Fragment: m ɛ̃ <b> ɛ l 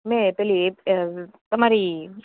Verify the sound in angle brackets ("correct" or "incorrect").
incorrect